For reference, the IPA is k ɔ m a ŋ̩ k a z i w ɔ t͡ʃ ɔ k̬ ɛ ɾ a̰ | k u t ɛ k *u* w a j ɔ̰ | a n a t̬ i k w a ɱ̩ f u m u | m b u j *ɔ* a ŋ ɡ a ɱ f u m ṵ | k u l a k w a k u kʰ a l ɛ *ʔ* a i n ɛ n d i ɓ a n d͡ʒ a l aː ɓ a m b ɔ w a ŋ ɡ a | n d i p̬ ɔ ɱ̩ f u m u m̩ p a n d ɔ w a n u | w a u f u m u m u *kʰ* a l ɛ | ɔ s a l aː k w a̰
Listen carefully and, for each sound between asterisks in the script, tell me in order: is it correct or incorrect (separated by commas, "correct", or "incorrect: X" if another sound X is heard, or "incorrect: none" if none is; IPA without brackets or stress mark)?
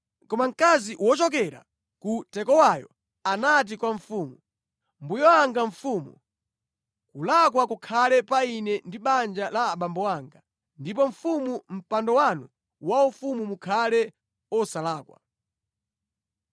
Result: incorrect: ɔ, correct, incorrect: p, correct